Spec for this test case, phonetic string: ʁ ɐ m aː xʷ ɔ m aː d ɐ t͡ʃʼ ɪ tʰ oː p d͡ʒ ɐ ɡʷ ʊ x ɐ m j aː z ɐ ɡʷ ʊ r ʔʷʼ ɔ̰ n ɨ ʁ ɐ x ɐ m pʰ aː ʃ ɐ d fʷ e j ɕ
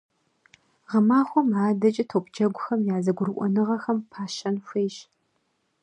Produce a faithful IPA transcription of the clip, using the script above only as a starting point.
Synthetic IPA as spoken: ʁ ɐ m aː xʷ ɔ m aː d ɐ t͡ʃʼ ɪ tʰ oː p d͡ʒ ɐ ɡʷ ʊ x ɐ m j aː z ɐ ɡʷ ʊ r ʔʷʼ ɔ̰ n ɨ ʁ ɐ x ɐ m pʰ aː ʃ ɐ n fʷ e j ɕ